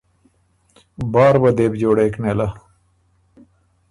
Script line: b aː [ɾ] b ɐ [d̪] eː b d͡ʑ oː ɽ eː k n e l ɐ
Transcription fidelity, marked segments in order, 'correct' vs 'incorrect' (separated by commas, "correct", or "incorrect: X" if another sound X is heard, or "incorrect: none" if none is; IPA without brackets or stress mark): correct, correct